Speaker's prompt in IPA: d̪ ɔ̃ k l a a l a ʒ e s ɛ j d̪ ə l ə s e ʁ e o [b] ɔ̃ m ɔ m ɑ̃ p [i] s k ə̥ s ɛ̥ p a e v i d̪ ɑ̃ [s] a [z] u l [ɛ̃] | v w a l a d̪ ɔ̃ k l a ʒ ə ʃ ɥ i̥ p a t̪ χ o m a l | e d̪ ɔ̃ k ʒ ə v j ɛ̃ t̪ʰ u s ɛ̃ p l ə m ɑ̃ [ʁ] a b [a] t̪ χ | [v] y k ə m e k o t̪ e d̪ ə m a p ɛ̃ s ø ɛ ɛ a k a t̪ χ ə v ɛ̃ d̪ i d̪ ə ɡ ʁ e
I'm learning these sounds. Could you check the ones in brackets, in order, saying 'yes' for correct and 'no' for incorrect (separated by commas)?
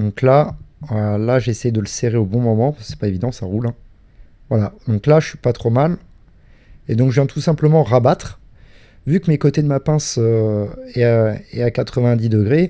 yes, no, yes, no, yes, yes, yes, yes